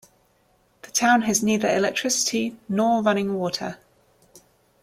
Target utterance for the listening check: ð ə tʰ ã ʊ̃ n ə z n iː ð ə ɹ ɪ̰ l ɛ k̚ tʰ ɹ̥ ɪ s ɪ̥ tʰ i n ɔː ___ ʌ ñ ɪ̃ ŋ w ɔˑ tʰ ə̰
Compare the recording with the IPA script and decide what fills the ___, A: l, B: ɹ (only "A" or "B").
B